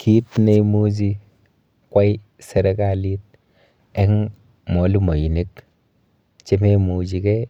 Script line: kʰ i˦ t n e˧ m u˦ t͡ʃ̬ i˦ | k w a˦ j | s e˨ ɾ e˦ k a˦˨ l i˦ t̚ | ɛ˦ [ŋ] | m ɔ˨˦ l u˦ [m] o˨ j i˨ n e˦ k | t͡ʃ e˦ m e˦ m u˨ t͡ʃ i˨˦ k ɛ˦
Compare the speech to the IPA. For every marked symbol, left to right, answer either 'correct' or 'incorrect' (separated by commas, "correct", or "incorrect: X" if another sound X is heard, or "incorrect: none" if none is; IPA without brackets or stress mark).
correct, correct